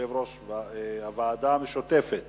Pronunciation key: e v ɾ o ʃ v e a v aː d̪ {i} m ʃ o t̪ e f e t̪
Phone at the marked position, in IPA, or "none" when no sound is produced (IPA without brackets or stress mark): a